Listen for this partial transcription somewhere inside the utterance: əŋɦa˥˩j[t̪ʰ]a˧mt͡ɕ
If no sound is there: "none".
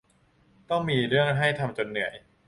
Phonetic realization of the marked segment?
t̪ʰ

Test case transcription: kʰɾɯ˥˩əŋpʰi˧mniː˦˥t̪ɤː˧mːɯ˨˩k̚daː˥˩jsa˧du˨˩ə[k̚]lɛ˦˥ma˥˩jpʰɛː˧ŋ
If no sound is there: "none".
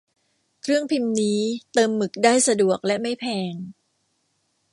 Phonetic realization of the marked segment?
k̚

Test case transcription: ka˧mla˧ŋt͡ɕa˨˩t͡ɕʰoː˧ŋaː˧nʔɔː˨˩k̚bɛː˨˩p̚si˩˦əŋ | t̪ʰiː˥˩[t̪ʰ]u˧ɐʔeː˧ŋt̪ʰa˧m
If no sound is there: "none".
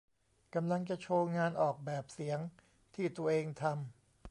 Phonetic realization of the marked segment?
t̪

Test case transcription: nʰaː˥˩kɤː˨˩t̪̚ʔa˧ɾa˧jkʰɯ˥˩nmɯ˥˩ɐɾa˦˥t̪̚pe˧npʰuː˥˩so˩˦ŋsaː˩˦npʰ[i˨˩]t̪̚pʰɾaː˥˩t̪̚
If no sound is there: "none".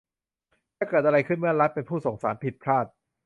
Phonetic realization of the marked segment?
i˨˩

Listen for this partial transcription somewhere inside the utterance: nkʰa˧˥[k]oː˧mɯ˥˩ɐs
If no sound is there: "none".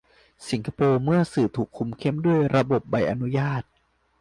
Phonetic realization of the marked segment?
p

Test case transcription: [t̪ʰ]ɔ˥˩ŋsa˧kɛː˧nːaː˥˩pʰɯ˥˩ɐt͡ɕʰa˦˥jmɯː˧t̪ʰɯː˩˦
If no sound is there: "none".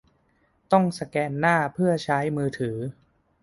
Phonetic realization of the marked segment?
t̪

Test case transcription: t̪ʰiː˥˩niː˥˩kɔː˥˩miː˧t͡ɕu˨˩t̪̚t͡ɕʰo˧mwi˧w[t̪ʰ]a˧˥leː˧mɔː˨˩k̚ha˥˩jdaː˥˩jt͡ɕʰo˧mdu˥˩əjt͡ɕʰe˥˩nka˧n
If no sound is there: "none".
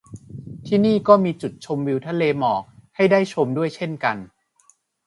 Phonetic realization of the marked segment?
t̪ʰ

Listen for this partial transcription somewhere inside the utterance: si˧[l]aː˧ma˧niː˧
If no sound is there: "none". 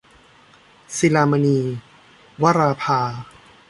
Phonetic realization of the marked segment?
l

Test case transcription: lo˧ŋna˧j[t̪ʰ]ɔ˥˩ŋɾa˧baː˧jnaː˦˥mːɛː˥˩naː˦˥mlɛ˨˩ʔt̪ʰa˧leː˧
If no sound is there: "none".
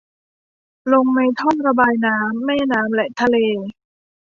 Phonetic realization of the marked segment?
t̪ʰ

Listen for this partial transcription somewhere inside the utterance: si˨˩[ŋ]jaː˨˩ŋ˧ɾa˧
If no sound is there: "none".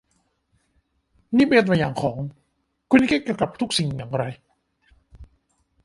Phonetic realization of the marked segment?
ŋ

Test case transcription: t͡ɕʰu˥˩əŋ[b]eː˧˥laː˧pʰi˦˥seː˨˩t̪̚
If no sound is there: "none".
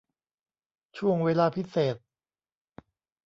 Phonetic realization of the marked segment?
w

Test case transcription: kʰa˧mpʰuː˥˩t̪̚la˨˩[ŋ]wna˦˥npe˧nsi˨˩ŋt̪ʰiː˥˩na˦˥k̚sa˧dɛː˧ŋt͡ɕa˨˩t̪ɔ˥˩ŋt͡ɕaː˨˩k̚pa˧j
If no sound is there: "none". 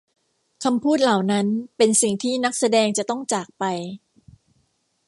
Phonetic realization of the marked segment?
none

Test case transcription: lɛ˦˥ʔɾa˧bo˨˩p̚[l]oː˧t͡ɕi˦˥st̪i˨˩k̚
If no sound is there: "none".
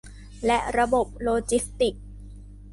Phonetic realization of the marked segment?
l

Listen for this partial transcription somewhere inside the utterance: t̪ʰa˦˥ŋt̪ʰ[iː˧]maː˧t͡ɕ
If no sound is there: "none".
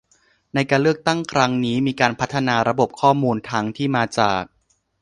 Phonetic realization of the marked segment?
iː˥˩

